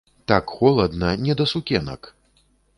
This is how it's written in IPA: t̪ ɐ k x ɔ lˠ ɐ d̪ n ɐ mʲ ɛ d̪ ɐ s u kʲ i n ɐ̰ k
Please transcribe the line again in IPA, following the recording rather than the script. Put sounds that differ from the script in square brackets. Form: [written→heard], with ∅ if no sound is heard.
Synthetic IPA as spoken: t̪ [ɐ→a] k x ɔ lˠ ɐ d̪ n ɐ [mʲ→nʲ] ɛ d̪ ɐ s u kʲ [i→ɛ] n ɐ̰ k